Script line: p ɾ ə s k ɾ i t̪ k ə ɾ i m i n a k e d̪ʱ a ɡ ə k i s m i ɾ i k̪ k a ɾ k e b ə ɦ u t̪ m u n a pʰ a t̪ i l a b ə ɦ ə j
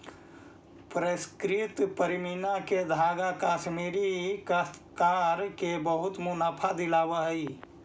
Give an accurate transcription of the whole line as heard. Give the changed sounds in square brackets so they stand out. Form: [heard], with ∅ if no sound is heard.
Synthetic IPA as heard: p ɾ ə s k ɾ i t̪ [p] ə ɾ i m i n a k e d̪ʱ a ɡ [a] k [a] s m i ɾ i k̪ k a ɾ k e b ə ɦ u t̪ m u n a pʰ a [d̪] i l a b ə ɦ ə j